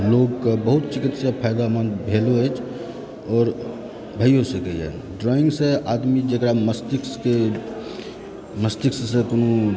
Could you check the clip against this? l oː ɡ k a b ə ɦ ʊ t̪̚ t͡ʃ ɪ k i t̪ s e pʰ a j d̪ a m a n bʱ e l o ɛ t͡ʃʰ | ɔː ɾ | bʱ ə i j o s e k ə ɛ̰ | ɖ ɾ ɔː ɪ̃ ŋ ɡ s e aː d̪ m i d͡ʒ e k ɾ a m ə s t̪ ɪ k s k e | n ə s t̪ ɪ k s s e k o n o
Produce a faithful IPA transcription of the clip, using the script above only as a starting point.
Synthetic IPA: l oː ɡ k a b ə ɦ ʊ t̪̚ t͡ʃ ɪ k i t̪ s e pʰ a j d̪ a m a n bʱ e l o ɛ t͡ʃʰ | ɔː ɾ | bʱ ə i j o s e k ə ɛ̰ | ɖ ɾ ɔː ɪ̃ ŋ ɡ s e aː d̪ m i d͡ʒ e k ɾ a m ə s t̪ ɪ k s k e | m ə s t̪ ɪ k s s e k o n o